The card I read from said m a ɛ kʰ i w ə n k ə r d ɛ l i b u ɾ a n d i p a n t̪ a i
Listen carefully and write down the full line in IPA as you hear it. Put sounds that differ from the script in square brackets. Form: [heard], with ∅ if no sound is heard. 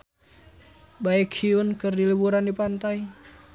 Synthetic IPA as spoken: [b] a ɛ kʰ i w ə n k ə r d [i] l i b u ɾ a n d i p a n t̪ a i